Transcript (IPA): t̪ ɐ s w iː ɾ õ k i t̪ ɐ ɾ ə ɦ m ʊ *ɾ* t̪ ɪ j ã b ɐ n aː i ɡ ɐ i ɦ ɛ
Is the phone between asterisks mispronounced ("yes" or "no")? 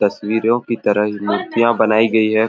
no